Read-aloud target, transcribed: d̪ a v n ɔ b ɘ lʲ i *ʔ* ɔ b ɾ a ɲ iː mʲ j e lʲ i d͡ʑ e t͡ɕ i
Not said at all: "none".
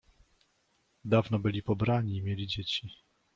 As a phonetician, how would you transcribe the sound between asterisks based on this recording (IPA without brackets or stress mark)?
p